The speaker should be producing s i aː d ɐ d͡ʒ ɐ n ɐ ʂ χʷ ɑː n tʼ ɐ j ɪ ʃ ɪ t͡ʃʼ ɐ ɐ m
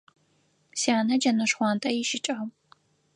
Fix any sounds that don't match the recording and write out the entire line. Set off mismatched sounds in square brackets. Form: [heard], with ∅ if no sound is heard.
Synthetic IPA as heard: s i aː [n] ɐ d͡ʒ ɐ n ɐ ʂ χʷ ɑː n tʼ ɐ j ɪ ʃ ɪ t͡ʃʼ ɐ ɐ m